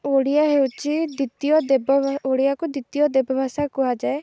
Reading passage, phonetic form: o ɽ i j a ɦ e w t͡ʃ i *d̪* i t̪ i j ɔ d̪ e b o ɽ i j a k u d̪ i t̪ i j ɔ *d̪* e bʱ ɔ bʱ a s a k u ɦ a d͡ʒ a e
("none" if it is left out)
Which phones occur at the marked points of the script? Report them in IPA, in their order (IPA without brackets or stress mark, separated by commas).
d̪, d̪